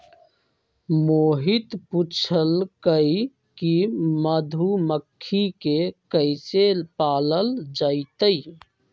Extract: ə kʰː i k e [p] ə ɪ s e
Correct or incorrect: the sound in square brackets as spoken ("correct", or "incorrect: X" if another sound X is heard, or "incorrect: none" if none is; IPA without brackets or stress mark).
incorrect: k